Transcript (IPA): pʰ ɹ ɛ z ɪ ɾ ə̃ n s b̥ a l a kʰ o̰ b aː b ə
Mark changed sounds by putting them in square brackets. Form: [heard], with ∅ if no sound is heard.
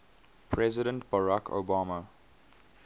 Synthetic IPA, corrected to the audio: pʰ ɹ ɛ z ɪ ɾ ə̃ n [t] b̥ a [ɹ] a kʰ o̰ b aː [m] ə